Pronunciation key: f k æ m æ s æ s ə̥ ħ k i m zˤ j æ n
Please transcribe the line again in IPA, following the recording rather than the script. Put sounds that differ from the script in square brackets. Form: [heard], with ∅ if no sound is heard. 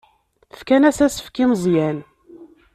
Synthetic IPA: f k æ [n] æ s æ s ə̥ [f] k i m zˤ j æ n